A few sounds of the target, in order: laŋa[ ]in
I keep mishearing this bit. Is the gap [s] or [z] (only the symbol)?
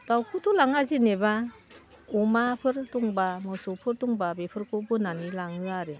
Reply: z